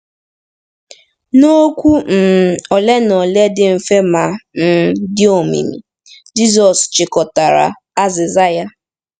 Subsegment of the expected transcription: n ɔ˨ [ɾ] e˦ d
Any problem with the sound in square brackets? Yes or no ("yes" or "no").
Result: yes